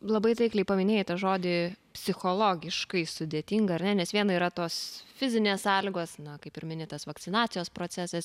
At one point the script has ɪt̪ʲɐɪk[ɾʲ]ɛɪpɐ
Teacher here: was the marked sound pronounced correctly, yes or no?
no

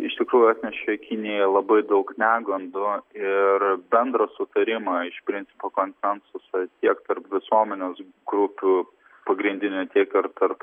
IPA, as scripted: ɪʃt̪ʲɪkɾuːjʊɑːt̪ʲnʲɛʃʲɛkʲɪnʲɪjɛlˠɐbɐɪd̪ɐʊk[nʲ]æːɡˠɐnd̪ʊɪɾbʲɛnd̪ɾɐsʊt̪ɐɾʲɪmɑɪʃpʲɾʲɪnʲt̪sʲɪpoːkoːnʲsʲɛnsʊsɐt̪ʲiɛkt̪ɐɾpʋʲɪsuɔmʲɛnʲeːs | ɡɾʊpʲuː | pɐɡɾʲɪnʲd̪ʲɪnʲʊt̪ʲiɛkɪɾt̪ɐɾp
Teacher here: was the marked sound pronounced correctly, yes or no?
yes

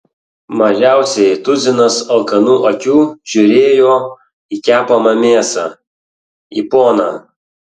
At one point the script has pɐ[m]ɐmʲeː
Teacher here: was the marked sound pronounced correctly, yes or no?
yes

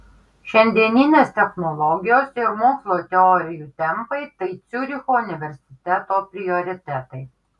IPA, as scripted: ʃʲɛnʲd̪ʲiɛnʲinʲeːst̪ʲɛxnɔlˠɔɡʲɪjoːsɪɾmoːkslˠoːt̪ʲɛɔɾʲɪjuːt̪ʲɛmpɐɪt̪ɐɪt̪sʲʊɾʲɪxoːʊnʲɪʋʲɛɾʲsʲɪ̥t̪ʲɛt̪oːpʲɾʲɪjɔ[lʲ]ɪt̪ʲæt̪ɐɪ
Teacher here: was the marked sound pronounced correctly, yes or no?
no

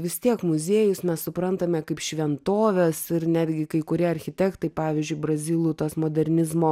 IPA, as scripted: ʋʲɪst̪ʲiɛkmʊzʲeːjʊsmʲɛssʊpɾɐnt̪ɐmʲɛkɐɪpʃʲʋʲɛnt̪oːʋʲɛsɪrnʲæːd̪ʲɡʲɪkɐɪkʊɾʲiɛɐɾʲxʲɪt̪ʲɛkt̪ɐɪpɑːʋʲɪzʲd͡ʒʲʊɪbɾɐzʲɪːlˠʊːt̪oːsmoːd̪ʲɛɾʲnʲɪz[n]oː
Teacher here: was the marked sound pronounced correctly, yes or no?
no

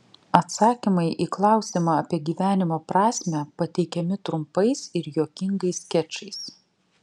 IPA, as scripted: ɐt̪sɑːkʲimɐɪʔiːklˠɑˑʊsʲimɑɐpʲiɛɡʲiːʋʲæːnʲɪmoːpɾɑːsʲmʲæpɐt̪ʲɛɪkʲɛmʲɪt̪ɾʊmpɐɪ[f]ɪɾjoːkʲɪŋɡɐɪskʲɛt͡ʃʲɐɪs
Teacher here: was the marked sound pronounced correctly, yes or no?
no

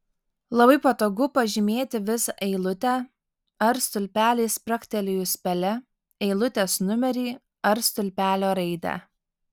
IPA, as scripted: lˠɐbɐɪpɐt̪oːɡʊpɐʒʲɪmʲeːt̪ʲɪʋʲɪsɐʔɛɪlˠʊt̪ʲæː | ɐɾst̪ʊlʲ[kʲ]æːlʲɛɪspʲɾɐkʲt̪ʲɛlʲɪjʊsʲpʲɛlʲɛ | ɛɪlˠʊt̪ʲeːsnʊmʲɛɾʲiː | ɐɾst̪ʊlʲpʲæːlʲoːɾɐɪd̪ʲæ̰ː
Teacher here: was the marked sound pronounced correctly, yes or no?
no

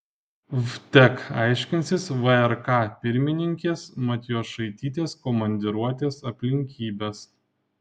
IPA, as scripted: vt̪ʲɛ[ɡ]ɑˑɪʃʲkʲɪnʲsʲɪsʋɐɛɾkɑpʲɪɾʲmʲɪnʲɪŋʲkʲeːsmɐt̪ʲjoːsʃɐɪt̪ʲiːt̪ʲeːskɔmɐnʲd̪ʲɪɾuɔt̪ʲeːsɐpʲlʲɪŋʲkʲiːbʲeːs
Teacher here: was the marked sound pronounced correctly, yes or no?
no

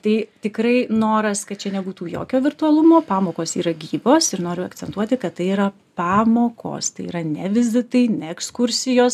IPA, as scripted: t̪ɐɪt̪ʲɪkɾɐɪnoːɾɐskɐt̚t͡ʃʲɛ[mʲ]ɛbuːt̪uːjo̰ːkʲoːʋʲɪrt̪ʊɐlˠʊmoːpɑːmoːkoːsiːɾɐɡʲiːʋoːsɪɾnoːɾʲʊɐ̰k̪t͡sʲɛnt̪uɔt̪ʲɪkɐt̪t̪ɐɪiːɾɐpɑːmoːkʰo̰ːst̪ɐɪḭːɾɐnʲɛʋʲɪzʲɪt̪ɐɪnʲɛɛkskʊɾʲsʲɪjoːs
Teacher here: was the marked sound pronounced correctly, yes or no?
no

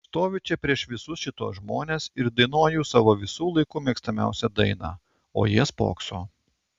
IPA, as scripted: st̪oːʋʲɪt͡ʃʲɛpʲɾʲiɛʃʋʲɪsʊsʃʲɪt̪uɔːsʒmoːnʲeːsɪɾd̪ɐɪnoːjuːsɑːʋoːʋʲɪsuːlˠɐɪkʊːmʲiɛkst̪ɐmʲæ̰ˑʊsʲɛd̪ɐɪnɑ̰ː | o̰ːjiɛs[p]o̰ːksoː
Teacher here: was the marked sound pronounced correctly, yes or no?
yes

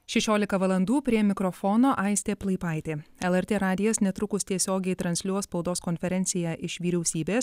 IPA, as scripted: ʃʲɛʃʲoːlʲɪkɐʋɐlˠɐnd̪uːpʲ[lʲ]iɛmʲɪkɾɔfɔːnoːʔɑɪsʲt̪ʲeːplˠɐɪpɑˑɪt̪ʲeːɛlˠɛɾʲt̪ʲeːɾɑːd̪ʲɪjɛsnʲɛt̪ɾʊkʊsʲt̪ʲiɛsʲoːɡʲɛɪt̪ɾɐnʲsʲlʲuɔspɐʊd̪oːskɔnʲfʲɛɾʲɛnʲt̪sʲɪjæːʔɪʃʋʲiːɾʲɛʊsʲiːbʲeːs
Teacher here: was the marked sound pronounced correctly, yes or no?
no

